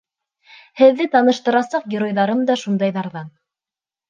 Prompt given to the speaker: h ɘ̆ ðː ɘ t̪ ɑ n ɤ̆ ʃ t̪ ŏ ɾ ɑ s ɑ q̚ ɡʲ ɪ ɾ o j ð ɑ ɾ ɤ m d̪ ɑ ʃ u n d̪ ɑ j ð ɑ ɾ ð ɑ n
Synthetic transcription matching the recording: h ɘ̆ ðː ɘ t̪ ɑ n ɤ̆ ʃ t̪ ɤ̆ ɾ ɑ s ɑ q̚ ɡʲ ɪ ɾ o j ð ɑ ɾ ɤ m d̪ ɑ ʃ u n d̪ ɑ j ð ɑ ɾ ð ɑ n